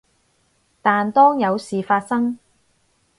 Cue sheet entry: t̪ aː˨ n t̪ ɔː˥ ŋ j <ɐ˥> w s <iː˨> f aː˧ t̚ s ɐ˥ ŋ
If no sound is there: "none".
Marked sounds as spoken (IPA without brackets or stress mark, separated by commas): ɐ˨˧, iː˨